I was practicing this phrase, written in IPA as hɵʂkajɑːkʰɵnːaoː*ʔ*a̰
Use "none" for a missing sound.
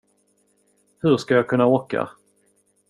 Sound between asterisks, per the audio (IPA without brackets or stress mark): k